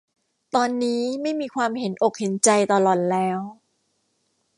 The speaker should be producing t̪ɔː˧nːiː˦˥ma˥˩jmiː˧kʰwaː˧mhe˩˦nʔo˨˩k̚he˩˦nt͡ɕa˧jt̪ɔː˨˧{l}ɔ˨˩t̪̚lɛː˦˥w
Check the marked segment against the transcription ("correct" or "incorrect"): correct